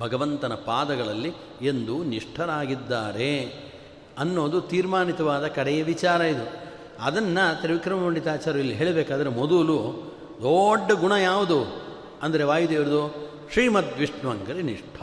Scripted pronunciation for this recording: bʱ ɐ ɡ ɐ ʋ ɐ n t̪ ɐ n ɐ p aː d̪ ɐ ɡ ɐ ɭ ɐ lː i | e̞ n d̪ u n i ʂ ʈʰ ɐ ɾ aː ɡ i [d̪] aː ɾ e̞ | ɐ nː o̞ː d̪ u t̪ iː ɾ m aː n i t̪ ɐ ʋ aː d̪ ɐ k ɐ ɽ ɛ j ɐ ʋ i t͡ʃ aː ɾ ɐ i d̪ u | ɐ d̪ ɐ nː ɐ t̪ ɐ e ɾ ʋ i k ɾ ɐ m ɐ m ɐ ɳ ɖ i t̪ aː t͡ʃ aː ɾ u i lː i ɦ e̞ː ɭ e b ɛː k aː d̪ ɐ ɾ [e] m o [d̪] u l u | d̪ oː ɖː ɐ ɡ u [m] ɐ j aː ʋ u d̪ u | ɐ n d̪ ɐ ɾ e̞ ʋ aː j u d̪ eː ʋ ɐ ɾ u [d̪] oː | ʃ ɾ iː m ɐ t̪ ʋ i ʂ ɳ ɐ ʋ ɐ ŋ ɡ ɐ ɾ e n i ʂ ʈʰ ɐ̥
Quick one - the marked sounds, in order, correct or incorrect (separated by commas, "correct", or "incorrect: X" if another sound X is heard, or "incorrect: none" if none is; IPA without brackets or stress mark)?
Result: incorrect: d̪ː, correct, correct, incorrect: ɳ, correct